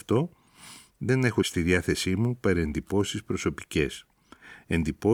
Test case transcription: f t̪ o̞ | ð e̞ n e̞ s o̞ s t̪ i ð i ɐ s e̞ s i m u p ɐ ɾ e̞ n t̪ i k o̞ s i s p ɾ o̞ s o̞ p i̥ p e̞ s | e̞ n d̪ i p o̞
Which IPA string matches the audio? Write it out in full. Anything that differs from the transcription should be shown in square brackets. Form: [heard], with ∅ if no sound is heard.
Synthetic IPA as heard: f t̪ o̞ | ð e̞ n e̞ [x] o̞ s t̪ i ð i ɐ [θ] e̞ s i m u p ɐ ɾ e̞ n [d̪] i [p] o̞ s i s p ɾ o̞ s o̞ p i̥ [c] e̞ s | e̞ n d̪ i p o̞